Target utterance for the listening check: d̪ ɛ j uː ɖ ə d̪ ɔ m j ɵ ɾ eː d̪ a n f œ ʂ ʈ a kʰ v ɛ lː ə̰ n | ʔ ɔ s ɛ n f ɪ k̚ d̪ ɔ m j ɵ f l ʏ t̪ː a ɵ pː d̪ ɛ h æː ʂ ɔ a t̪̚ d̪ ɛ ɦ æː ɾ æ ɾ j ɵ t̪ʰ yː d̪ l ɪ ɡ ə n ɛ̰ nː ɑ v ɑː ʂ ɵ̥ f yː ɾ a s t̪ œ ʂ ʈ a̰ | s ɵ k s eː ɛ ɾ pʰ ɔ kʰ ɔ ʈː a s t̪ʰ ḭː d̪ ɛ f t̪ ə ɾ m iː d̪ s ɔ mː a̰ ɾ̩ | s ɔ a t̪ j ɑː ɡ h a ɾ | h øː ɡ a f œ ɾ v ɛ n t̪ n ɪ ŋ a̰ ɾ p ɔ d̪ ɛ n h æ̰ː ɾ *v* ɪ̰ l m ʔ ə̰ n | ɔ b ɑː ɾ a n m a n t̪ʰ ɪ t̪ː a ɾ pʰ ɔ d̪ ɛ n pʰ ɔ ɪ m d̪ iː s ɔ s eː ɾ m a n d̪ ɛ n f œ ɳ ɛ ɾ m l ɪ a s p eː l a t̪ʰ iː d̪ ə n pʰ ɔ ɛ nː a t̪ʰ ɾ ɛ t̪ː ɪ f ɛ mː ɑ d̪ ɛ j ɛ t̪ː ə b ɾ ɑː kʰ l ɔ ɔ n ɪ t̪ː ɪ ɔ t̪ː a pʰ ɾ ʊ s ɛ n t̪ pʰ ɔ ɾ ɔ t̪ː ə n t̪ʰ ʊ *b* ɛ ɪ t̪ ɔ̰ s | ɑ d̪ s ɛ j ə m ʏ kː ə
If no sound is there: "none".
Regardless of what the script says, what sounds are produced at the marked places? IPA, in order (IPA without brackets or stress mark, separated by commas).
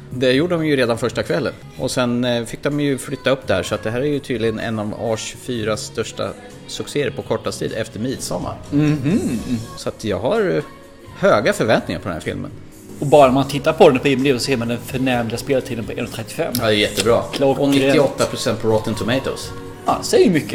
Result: f, m